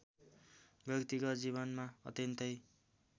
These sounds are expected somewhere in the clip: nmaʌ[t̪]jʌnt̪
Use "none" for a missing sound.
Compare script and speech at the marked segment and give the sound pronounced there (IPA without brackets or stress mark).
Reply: t̪